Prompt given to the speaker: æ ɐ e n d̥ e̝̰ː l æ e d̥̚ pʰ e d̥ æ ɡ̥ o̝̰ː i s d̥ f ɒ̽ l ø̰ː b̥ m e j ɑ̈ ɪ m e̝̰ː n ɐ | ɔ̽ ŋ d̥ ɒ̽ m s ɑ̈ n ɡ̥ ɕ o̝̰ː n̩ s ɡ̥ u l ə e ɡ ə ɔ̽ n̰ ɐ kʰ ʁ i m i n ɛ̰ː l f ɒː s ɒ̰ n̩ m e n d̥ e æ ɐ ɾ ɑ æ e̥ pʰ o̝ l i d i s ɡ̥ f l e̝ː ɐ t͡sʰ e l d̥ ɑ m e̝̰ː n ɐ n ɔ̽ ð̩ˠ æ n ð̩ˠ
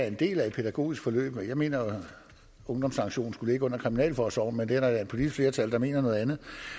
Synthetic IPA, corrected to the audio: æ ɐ e n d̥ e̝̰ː l æ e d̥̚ pʰ e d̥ æ ɡ̥ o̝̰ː i s ɡ̥ f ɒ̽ l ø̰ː b̥ m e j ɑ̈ ɪ m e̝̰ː n ɐ | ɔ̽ ŋ d̥ ɒ̽ m s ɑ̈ ŋ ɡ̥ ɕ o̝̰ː n̩ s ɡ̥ u l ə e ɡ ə ɔ̽ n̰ ɐ kʰ ʁ i m i n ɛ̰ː l f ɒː s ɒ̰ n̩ m e n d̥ e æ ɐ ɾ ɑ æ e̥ pʰ o̝ l i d i s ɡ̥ f l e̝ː ɐ t͡sʰ æ l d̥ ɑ m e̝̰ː n ɐ n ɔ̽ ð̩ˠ æ n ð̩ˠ